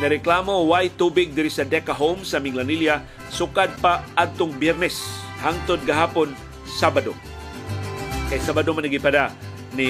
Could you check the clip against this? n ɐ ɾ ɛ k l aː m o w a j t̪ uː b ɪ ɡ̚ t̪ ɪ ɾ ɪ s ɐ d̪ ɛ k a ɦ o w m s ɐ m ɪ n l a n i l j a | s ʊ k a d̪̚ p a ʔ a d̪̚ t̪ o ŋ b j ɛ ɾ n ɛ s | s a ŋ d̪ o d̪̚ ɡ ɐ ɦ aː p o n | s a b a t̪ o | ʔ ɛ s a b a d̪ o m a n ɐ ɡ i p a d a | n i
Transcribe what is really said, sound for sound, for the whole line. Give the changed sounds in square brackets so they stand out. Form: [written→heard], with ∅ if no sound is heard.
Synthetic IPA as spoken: n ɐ ɾ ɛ k l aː m o w a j t̪ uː b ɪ ɡ̚ [t̪→d̪] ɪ ɾ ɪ s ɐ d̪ ɛ k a ɦ o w m s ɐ m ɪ [n→ŋ] l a n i l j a | s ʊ k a d̪̚ p a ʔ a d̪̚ t̪ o ŋ b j ɛ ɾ n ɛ s | [s→h] a ŋ [d̪→t̪] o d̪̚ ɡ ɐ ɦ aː p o n | s a b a [t̪→d̪] o | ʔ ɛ s a b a d̪ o m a n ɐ ɡ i p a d a | n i